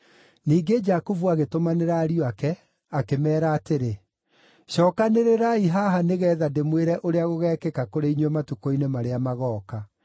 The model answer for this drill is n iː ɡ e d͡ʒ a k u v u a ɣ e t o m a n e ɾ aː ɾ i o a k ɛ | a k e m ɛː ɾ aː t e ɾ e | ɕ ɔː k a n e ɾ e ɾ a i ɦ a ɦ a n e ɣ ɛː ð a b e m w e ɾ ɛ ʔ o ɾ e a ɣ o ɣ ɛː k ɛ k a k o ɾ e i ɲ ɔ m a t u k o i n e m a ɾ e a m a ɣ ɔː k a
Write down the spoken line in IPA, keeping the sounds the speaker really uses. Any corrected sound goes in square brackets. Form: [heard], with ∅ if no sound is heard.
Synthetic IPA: n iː ɡ e d͡ʒ a k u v u a ɣ e t o m a n e ɾ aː ɾ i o a k ɛ | a k e m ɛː ɾ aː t e ɾ e | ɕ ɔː k a n e ɾ e ɾ a i ɦ a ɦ a n e ɣ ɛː ð a [d] e m w e ɾ ɛ ʔ o ɾ e a ɣ o ɣ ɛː k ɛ k a k o ɾ e i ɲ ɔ m a t u k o i n e m a ɾ e a m a ɣ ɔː k a